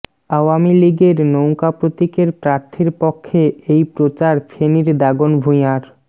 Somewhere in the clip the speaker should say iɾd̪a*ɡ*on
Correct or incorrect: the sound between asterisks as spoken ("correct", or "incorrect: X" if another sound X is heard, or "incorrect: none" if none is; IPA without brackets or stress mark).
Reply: correct